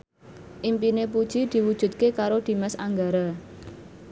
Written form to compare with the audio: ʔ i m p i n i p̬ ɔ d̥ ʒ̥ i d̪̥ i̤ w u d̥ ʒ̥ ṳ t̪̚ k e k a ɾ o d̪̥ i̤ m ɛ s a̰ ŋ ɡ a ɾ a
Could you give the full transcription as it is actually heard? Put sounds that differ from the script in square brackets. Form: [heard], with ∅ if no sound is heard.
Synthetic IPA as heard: ʔ i m p i n [e] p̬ [u] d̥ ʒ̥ i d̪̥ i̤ w u d̥ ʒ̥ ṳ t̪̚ k e k a ɾ o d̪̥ i̤ m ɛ s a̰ ŋ ɡ a ɾ a